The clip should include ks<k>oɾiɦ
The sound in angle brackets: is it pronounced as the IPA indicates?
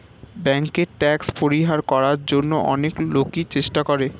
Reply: no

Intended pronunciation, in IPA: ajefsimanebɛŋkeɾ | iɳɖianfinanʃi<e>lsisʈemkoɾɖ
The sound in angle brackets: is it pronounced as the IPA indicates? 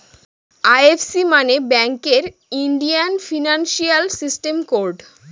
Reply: no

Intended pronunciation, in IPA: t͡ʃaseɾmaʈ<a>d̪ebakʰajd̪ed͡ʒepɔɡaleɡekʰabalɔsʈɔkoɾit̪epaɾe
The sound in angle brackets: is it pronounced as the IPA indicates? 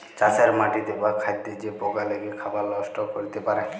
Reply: no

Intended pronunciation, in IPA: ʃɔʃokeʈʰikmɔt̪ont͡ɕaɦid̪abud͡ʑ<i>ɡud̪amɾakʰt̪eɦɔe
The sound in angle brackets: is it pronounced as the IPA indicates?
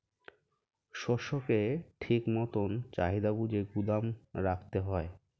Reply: no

